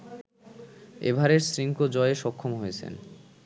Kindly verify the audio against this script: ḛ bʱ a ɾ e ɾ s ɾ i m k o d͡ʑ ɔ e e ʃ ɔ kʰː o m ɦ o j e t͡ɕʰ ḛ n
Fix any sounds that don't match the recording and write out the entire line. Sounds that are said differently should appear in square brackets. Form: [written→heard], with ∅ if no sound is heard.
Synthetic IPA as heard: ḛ bʱ a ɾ e ɾ s ɾ i [m→ŋ] k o d͡ʑ ɔ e e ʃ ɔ kʰː o m ɦ o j e t͡ɕʰ ḛ n

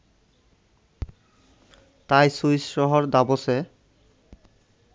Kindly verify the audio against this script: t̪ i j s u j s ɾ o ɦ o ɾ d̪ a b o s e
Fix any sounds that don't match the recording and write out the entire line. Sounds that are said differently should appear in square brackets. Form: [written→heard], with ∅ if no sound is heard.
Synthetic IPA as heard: t̪ [i→a] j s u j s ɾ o ɦ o ɾ d̪ a b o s e

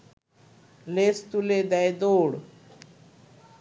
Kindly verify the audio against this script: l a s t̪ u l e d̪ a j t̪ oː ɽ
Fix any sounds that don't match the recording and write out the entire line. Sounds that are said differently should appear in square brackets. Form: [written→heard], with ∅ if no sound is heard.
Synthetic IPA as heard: l [a→e] s t̪ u l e d̪ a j [t̪→d̪] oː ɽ

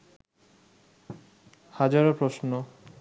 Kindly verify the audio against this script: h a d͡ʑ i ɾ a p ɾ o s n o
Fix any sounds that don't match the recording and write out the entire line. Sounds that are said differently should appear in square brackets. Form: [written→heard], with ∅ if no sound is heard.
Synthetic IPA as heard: h a d͡ʑ [i→a] ɾ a p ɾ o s n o

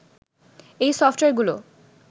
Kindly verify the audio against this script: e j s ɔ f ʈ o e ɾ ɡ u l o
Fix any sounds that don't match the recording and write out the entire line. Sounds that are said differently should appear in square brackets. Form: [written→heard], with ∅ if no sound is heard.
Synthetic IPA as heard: e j s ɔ f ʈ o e ɾ ɡ u l o

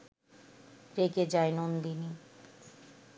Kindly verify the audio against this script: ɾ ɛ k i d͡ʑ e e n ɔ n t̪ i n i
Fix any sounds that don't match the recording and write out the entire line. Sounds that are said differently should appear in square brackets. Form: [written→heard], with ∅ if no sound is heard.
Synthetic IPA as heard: ɾ [ɛ→e] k [i→e] d͡ʑ [e→a] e n [ɔ→o] n [t̪→d̪] i n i

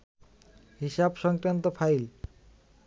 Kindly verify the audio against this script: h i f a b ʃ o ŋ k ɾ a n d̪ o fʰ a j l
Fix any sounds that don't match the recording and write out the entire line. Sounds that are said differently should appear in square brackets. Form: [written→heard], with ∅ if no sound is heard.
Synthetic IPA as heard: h i [f→ʃ] a b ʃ [o→ɔ] ŋ k ɾ a n [d̪→t̪] o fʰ a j l

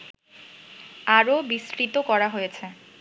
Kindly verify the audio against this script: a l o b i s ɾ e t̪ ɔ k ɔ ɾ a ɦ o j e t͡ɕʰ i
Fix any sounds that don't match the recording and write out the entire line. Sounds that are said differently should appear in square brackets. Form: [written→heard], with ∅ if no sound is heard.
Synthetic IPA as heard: a [l→ɾ] o b i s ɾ [e→i] t̪ [ɔ→o] k ɔ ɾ a ɦ o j e t͡ɕʰ [i→e]

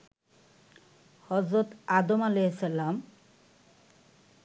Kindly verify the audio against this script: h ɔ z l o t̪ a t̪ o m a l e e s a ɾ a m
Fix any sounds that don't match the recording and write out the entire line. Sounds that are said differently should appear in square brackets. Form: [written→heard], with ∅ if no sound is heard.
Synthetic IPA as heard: h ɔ z [l→ɾ] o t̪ a [t̪→d̪] o m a l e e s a [ɾ→l] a m

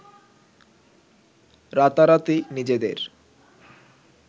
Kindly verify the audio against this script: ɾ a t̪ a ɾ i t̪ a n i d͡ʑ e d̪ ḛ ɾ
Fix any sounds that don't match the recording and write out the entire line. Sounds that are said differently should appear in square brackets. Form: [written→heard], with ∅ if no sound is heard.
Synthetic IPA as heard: ɾ a t̪ a ɾ [i→a] t̪ [a→i] n i d͡ʑ e d̪ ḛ ɾ

